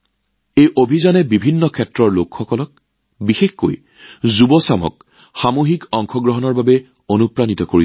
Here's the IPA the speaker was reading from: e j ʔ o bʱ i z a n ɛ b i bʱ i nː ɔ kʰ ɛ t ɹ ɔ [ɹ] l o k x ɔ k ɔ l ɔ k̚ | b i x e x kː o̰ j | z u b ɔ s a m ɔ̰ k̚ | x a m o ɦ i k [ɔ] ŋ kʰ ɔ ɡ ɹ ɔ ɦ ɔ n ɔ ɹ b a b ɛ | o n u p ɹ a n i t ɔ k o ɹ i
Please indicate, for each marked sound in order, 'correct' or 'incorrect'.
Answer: correct, correct

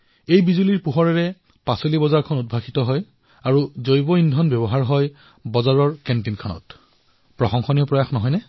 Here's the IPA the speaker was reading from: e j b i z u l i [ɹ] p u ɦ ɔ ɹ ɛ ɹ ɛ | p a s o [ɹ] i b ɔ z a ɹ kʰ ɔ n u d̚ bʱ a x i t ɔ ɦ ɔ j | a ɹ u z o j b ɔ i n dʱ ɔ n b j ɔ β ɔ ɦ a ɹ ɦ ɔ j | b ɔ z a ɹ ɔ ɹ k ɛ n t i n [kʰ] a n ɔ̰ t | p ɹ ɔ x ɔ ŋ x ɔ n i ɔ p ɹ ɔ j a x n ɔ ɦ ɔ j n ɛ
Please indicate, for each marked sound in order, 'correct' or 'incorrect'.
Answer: correct, incorrect, correct

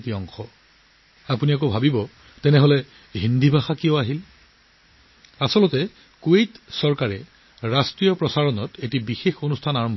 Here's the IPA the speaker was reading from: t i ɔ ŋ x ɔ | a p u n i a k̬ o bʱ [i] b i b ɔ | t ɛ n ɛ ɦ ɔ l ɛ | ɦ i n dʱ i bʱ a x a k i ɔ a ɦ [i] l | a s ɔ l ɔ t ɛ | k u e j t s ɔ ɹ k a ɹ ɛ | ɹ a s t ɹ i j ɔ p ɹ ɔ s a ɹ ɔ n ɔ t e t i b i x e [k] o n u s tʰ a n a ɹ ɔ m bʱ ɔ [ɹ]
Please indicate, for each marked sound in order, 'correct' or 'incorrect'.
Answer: incorrect, correct, incorrect, incorrect

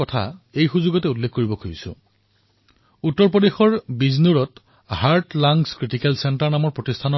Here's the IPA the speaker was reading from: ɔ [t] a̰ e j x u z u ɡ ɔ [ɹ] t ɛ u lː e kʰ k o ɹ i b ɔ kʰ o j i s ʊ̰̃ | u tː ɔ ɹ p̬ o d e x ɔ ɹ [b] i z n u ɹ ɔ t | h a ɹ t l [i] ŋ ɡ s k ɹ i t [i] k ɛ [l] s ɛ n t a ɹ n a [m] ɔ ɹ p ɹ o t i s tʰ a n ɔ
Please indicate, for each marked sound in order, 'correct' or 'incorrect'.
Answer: incorrect, incorrect, correct, incorrect, correct, correct, correct

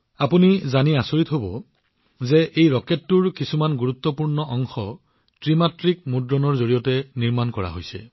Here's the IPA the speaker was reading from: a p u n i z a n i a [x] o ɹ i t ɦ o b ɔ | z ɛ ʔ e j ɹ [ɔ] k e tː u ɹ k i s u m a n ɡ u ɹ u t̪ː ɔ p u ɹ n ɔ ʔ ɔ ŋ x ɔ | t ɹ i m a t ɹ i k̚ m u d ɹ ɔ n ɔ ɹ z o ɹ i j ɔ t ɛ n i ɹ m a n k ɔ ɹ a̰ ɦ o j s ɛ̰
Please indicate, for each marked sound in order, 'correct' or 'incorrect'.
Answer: incorrect, correct

